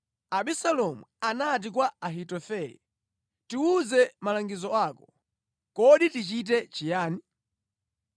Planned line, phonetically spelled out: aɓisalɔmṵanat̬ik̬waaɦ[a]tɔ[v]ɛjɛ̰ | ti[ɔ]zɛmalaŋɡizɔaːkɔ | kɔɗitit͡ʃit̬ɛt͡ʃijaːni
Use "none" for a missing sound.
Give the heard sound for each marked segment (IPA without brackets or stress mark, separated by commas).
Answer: i, f, u